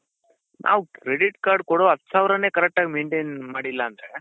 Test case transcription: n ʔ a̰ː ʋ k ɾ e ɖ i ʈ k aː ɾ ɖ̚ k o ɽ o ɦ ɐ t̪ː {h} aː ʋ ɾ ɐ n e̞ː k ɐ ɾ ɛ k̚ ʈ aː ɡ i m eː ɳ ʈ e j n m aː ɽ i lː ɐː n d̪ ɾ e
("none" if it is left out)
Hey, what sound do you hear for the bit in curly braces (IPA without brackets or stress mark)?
s